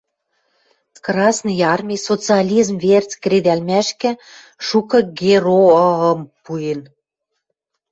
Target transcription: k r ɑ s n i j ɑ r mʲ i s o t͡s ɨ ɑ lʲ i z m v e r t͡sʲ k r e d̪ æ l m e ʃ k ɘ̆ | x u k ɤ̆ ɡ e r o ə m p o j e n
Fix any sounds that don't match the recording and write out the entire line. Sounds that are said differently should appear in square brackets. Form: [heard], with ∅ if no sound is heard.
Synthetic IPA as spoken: k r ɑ s n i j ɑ r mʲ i s o t͡s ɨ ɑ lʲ i z m v e r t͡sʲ k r e d̪ æ l m [æ] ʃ k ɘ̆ | [ʃ] u k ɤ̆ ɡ e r o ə m p [u] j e n